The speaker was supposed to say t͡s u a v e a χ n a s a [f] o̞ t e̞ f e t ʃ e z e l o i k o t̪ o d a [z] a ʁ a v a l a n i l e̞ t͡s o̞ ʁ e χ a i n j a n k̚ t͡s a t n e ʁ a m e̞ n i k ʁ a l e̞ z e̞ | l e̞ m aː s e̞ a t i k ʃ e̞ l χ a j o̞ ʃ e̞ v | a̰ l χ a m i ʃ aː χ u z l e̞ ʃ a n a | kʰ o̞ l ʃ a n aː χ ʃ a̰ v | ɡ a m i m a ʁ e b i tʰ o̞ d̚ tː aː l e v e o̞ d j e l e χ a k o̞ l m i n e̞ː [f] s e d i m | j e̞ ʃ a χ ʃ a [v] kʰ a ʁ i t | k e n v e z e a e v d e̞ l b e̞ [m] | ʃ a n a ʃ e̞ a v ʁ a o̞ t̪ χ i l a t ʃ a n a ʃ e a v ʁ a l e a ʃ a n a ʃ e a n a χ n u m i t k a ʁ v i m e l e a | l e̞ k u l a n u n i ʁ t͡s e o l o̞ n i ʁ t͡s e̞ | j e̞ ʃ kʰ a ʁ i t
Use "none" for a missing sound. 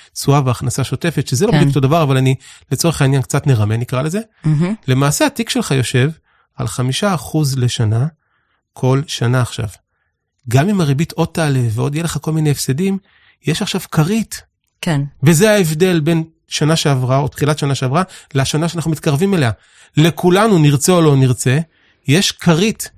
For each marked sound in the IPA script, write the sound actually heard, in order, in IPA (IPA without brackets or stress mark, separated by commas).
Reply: ʃ, v, f, v, n